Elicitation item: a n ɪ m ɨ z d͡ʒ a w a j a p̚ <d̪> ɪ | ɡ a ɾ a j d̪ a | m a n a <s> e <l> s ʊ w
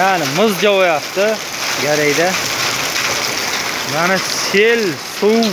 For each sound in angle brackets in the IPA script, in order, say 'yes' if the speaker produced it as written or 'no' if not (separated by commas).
no, yes, yes